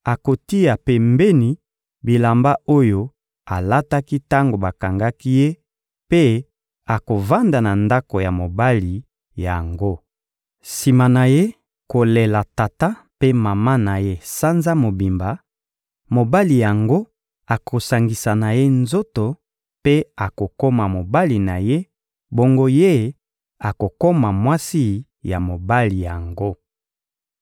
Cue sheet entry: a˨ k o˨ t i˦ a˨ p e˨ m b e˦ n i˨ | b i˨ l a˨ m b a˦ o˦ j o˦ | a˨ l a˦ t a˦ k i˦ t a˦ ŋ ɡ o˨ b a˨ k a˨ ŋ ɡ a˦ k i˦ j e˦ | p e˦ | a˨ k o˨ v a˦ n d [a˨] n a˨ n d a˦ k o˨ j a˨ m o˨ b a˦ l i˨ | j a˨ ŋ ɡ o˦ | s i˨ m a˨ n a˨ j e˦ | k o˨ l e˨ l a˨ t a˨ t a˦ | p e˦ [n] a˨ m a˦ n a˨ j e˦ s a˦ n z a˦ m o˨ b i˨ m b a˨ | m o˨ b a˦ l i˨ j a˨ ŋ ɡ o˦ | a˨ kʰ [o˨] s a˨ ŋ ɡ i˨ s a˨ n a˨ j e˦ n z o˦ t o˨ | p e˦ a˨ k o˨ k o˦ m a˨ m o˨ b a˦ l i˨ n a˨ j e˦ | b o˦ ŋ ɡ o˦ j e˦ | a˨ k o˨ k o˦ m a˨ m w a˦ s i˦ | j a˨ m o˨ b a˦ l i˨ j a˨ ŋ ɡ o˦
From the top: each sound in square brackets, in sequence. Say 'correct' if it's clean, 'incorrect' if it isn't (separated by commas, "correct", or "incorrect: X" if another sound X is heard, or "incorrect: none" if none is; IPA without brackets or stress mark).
correct, incorrect: m, correct